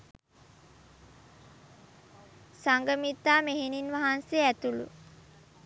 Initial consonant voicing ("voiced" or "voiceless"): voiceless